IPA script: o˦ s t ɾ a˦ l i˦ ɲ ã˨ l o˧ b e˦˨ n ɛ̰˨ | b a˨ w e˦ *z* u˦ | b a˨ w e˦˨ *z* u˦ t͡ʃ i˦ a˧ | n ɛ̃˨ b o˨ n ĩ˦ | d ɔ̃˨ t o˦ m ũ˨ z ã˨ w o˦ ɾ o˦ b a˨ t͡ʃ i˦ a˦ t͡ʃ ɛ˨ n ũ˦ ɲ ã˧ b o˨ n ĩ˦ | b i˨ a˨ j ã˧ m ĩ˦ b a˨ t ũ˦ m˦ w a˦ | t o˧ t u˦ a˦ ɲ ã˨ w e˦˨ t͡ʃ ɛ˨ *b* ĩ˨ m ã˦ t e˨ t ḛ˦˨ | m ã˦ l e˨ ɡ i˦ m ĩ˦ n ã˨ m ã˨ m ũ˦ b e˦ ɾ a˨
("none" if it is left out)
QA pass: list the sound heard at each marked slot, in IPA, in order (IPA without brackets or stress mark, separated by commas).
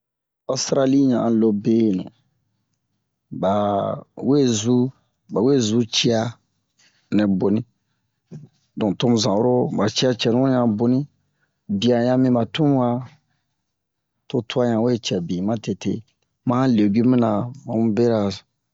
z, z, b